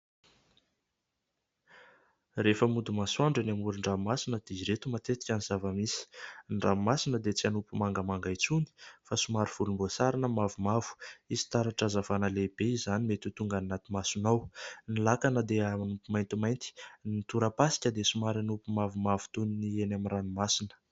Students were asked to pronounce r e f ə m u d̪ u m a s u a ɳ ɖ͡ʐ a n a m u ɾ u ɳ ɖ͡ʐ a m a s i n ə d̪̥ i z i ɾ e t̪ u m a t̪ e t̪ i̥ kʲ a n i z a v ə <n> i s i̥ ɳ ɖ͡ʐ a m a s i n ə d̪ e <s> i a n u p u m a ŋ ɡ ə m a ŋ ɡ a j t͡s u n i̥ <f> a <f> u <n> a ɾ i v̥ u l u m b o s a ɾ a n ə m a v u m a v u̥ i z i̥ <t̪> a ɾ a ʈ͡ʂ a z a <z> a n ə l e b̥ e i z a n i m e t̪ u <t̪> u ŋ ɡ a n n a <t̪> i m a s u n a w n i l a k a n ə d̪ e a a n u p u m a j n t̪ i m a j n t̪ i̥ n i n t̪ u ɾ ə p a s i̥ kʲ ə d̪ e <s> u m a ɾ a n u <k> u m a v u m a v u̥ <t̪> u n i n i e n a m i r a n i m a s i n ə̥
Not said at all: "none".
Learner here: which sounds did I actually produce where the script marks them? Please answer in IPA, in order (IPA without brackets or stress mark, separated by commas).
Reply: m, t͡s, f, s, m, t̪, v, t̪, t̪, s, p, t̪